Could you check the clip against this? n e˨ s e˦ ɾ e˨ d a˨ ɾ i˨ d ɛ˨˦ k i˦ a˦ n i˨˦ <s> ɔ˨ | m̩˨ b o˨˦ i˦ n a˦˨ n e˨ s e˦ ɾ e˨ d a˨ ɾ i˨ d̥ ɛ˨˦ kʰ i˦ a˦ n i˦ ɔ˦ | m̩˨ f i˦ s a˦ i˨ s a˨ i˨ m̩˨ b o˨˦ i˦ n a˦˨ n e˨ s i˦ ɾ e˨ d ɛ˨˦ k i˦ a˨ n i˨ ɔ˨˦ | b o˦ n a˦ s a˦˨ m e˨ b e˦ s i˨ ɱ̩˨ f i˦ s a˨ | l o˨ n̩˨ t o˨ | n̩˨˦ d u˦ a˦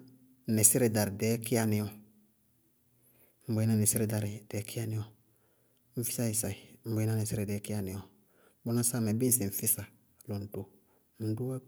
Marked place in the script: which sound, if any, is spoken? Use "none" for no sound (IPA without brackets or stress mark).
none